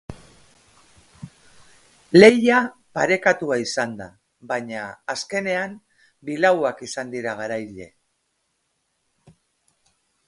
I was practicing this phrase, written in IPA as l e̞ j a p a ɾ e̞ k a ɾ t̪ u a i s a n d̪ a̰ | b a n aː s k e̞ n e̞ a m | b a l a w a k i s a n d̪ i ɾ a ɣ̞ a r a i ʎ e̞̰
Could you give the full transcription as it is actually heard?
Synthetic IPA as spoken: l e̞ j a p a ɾ e̞ k a t̪ u a i s a n d̪ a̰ | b a ɲ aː s k e̞ n e̞ a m | b i l a w a k i s a n d̪ i ɾ a ɣ̞ a ɾ a j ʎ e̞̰